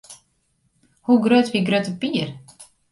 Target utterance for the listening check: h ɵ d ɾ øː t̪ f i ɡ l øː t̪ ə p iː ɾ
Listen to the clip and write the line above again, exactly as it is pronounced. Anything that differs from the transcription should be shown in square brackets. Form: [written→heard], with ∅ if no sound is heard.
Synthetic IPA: h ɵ [d→ɡ] ɾ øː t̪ [f→v] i ɡ [l→ɾ] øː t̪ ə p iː ɾ